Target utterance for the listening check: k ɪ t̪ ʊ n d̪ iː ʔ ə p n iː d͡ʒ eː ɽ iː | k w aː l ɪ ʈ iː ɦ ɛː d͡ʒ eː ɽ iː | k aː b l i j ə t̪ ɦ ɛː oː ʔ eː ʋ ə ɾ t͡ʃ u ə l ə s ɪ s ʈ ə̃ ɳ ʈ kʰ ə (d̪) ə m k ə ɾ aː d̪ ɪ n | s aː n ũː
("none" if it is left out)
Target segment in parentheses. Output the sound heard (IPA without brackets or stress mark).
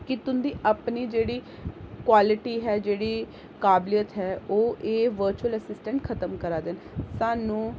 t̪